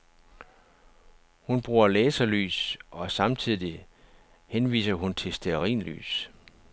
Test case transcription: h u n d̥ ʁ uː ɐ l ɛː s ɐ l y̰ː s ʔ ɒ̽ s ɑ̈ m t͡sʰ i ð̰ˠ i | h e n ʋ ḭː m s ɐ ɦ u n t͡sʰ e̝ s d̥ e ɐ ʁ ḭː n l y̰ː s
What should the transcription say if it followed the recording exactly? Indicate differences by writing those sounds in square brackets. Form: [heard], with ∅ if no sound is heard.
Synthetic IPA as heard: h u n [b̥] ʁ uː ɐ l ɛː s ɐ l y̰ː s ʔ ɒ̽ s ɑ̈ m t͡sʰ i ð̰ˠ i | h e n ʋ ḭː [∅] s ɐ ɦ u n t͡sʰ e̝ s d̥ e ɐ ʁ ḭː n l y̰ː s